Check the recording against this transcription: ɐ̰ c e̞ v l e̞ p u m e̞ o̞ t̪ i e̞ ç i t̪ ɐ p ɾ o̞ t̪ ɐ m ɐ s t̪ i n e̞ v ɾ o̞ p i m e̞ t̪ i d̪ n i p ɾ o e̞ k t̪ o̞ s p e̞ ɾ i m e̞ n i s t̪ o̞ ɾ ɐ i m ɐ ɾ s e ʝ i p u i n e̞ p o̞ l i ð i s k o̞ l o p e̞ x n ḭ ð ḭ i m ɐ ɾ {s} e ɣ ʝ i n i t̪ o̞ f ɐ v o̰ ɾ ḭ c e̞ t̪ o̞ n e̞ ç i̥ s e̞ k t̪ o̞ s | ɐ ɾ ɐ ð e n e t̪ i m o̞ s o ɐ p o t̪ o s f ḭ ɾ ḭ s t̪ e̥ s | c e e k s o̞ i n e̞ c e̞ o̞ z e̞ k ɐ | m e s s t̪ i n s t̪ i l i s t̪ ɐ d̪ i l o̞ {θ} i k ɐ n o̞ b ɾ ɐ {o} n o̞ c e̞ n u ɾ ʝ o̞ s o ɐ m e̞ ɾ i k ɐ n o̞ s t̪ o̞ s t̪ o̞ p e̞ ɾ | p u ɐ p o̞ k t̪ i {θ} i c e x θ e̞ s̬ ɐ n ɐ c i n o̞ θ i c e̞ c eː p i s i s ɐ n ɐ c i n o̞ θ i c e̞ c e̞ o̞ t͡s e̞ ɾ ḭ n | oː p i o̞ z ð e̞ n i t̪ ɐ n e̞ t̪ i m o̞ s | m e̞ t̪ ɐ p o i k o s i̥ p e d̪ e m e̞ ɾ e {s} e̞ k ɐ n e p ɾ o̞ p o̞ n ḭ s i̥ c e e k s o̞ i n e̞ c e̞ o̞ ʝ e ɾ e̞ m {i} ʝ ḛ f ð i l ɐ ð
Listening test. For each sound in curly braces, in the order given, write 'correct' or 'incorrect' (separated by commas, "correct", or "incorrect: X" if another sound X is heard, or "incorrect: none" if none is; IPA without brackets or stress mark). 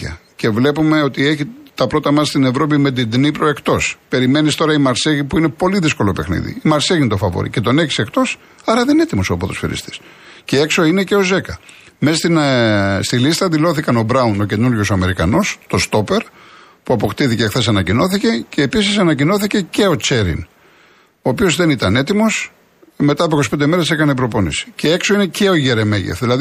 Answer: correct, correct, incorrect: u, correct, correct, incorrect: e